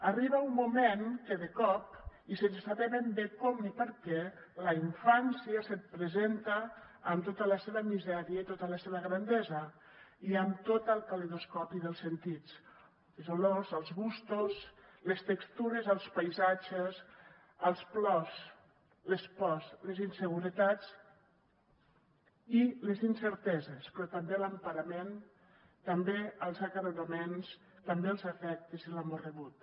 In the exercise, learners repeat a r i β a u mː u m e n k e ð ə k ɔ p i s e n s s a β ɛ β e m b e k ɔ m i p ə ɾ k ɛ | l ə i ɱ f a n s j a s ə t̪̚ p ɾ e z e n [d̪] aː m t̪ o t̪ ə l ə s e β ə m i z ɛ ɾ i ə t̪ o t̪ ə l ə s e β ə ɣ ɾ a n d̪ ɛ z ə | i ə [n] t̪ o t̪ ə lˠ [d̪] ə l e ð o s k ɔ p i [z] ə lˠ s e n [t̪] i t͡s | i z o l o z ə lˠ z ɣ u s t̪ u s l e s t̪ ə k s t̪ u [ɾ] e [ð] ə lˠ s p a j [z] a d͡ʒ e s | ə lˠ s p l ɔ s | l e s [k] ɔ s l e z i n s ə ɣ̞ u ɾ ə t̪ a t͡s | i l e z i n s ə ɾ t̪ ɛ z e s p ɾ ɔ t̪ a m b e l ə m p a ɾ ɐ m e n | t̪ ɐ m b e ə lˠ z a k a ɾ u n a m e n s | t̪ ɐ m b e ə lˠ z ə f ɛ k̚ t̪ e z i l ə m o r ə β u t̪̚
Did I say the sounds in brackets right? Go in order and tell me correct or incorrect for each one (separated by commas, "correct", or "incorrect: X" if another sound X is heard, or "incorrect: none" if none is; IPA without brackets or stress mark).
incorrect: t̪, incorrect: m, incorrect: t̪, incorrect: ð, correct, correct, incorrect: z, correct, incorrect: p